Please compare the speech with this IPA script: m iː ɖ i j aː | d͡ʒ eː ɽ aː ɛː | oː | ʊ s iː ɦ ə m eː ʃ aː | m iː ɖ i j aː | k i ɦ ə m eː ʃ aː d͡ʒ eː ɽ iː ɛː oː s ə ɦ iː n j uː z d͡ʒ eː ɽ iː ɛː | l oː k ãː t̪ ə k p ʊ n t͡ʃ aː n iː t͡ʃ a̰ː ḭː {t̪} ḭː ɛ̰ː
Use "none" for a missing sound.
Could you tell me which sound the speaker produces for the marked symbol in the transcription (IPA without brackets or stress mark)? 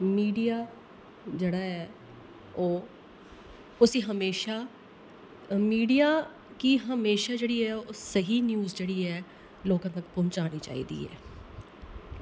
d̪